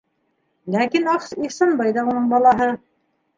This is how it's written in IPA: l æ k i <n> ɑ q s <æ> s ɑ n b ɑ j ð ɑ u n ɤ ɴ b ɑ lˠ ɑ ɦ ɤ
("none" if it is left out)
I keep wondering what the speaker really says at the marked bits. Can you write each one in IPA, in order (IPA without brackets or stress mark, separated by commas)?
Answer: n, i